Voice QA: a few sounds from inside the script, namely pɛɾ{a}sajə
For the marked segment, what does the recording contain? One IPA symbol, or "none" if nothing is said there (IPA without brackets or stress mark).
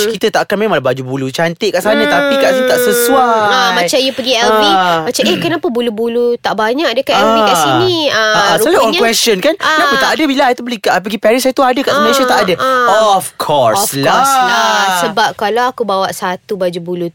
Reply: i